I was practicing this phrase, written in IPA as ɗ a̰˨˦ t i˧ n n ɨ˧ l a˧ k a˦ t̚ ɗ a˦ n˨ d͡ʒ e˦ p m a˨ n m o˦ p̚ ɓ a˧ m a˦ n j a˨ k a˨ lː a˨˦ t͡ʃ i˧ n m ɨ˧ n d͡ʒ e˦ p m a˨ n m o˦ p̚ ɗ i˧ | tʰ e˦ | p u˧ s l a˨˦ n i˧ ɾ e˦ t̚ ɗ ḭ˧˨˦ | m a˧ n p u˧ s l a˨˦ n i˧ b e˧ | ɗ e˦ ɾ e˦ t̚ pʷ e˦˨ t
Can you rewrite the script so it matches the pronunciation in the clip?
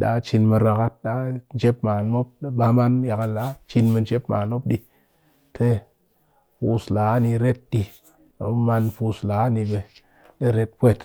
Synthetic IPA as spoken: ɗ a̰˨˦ t͡ʃ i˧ n m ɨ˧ ɾ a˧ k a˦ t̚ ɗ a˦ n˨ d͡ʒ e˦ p m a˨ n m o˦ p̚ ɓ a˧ m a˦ n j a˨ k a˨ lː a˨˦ t͡ʃ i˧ n m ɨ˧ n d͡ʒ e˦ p m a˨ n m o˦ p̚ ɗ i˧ | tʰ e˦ | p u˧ s l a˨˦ n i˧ ɾ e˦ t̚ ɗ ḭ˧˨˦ | m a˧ n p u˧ s l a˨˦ n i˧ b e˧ | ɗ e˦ ɾ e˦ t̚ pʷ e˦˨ t